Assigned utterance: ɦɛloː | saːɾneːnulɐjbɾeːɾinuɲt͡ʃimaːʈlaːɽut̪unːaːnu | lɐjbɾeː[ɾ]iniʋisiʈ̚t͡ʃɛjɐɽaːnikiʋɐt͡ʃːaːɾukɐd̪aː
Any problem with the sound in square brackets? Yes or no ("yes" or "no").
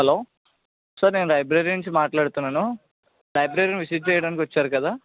no